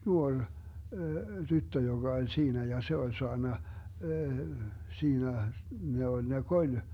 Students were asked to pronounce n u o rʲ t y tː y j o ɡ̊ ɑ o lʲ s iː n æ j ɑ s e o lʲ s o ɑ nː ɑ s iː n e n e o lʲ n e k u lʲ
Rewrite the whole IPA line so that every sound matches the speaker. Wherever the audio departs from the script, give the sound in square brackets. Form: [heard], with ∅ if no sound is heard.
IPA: n u o rʲ t y tː [ø] j o ɡ̊ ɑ o lʲ s iː n æ j ɑ s e o lʲ s o ɑ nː ɑ s iː n [æ] n e o lʲ n e k [o] lʲ